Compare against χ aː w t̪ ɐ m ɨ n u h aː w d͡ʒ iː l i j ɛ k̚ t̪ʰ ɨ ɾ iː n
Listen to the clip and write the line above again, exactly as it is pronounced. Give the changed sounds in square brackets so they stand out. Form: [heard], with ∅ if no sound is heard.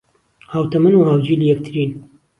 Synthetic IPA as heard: [h] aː w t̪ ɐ m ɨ n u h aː w d͡ʒ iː l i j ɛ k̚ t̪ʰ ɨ ɾ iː n